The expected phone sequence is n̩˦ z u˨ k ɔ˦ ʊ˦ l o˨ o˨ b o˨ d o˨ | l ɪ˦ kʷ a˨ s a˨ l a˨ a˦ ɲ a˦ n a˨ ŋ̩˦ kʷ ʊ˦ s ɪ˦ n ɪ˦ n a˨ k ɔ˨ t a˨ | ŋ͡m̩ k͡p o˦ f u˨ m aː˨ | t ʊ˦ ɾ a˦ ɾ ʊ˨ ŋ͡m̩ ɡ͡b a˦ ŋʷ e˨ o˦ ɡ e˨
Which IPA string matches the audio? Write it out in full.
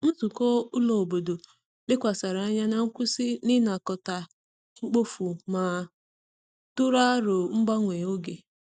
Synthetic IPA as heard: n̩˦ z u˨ k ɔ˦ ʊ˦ l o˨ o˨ b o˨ d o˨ | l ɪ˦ kʷ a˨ s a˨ ɾ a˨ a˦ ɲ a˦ n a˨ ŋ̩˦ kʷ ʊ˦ s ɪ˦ n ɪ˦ n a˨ k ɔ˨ t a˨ | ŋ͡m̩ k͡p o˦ f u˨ m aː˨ | t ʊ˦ ɾ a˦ ɾ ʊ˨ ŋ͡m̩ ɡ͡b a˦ ŋʷ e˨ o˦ ɡ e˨